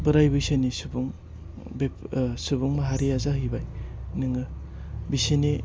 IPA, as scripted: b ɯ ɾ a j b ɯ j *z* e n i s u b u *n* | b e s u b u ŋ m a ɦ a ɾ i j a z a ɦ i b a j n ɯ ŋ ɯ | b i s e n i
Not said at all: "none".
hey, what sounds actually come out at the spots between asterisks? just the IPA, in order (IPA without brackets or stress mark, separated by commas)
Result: s, ŋ